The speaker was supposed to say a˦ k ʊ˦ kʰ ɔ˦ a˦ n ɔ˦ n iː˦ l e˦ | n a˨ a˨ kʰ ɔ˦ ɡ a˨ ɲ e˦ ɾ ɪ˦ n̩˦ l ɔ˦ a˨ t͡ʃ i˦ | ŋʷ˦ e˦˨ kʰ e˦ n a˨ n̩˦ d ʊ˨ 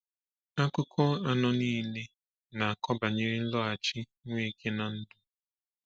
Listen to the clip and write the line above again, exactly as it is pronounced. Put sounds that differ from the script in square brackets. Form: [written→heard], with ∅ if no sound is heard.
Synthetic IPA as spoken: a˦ k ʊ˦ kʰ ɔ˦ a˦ n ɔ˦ n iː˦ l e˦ | n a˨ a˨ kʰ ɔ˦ [ɡ→b] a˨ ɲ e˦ ɾ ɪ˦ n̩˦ l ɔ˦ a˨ t͡ʃ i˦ | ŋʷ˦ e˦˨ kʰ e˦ n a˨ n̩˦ d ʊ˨